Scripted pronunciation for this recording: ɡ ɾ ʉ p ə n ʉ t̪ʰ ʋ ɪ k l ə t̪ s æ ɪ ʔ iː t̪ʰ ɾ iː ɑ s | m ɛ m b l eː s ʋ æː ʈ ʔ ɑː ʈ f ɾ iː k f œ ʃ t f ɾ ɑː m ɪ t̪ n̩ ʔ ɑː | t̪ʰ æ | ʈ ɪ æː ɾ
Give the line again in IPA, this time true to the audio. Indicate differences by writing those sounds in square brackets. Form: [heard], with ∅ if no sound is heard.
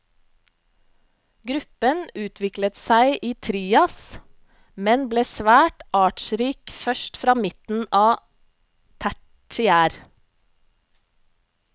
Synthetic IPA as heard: ɡ ɾ ʉ p ə n [ʉː] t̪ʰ ʋ ɪ k l ə t̪ s æ ɪ ʔ iː t̪ʰ ɾ iː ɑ s | m ɛ [n] b l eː s ʋ æː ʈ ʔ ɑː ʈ [ʃ] ɾ iː k f œ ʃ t f ɾ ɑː m ɪ t̪ n̩ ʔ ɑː | t̪ʰ æ | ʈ ɪ æː ɾ